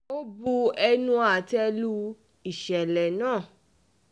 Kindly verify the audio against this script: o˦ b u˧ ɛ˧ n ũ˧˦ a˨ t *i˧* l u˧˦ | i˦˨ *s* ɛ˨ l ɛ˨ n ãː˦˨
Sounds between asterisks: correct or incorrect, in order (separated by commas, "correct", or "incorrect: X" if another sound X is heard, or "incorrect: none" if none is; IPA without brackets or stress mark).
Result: incorrect: ɛ˧, incorrect: ʃ